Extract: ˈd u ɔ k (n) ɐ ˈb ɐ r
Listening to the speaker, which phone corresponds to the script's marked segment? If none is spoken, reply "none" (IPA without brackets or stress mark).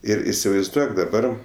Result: d